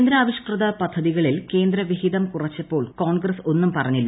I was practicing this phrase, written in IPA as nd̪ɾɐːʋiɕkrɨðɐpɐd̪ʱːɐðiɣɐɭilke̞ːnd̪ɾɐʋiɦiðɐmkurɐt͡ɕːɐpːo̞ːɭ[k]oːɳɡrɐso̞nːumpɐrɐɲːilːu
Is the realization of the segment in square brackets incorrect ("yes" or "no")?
no